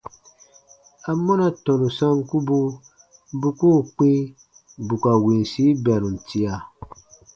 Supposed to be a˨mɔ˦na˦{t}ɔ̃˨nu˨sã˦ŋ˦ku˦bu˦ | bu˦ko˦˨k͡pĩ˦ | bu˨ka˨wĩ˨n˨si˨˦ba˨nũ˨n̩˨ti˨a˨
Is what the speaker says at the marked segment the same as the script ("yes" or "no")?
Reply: yes